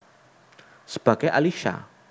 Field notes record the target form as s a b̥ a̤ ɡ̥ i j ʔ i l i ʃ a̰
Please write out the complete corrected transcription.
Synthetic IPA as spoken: s ə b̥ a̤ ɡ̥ a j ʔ a l i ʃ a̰